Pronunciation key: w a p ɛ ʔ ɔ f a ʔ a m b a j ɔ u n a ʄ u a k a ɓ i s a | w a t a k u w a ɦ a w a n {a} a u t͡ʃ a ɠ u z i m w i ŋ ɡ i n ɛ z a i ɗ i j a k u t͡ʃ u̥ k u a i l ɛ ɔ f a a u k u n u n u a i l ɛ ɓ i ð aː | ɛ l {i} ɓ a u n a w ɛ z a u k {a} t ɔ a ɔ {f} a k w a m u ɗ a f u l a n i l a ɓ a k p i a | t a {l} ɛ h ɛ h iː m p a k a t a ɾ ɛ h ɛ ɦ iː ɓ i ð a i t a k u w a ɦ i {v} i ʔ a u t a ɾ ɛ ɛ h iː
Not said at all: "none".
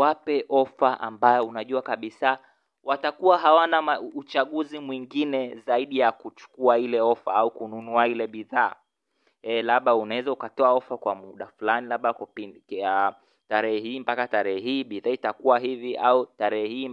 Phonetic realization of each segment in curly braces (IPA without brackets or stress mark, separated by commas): a, a, a, f, ɾ, v